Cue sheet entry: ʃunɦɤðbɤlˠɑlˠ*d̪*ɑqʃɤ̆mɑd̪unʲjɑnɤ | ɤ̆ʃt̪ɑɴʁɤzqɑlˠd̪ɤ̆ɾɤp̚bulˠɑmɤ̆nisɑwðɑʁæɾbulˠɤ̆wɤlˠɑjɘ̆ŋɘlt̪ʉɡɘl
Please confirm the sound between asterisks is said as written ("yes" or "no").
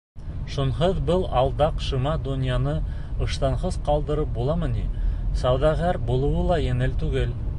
yes